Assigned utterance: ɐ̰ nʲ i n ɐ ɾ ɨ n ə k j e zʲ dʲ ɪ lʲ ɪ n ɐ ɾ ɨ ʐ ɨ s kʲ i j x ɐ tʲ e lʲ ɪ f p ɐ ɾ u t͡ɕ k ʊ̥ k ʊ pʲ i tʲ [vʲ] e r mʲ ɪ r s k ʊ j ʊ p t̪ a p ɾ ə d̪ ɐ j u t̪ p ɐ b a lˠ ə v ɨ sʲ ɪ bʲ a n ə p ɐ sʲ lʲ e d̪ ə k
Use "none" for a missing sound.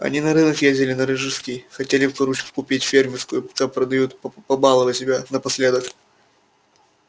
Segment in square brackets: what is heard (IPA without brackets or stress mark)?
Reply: fʲ